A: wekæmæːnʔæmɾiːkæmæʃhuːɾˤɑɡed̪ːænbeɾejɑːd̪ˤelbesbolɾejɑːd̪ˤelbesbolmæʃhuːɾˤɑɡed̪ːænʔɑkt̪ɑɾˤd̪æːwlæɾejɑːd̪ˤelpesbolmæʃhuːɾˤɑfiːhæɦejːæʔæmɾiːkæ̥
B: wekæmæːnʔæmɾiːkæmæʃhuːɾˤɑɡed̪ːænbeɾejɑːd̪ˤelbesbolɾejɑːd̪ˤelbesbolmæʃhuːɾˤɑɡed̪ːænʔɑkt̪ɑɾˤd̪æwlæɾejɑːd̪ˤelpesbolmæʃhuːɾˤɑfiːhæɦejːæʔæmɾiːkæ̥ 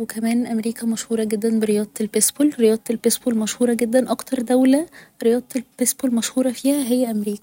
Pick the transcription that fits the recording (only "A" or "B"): B